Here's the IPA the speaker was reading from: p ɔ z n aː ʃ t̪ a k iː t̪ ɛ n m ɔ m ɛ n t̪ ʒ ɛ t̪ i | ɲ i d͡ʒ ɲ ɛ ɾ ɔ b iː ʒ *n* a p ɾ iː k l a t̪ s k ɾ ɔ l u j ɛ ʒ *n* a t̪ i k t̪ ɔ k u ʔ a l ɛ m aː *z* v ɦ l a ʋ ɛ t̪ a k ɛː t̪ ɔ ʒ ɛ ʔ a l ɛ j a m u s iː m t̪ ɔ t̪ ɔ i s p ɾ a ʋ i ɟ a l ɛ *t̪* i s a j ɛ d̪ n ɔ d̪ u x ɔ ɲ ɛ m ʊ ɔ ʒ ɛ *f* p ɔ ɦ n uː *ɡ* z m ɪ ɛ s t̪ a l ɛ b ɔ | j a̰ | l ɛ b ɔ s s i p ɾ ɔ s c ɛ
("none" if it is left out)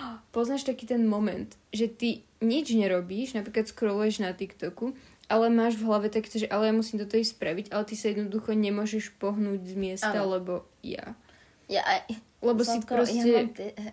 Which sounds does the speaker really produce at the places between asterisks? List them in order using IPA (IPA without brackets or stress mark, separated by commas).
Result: n, n, ʒ, t̪, ʃ, ɟ